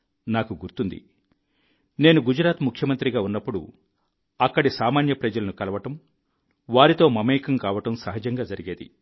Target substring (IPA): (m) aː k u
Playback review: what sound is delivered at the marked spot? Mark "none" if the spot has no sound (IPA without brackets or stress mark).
n